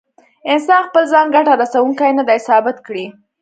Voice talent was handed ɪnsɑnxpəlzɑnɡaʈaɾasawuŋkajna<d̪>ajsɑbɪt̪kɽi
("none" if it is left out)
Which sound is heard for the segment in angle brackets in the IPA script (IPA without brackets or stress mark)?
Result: d̪